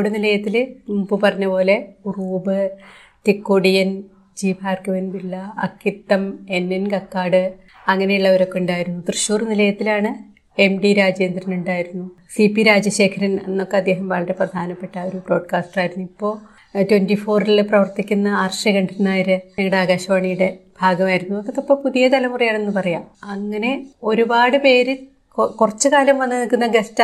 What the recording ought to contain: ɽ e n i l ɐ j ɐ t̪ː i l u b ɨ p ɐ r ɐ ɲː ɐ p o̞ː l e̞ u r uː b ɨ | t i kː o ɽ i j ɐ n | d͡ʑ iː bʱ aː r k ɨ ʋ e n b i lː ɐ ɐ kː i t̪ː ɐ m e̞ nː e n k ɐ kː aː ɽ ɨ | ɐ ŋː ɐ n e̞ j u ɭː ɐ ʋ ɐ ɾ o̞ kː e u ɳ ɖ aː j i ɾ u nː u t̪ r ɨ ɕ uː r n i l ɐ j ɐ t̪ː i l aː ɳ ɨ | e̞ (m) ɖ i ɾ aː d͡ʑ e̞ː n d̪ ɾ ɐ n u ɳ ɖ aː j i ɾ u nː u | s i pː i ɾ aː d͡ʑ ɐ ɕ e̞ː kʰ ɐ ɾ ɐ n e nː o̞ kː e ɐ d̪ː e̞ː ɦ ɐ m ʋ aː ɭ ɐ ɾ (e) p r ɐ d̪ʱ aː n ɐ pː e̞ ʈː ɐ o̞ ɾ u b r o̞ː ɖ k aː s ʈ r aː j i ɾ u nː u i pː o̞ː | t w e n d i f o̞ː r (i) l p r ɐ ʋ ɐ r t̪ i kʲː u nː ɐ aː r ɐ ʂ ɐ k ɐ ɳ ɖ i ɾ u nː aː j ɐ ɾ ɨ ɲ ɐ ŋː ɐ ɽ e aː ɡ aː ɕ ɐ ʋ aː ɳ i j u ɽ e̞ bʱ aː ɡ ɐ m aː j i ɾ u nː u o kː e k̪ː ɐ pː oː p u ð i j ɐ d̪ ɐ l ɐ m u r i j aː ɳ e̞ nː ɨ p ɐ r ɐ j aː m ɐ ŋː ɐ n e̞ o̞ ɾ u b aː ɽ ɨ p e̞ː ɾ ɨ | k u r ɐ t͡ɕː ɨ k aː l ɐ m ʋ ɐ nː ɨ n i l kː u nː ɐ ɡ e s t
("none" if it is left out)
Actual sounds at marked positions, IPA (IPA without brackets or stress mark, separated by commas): m, e, i